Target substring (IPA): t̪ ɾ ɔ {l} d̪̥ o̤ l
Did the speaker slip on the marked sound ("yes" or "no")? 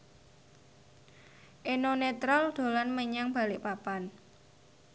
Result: no